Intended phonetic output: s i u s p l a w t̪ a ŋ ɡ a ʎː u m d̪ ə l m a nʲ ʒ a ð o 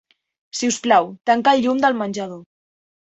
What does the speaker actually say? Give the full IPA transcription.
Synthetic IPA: s i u s p l a w t̪ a ŋ k a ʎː u m d̪ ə l m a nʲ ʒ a ð o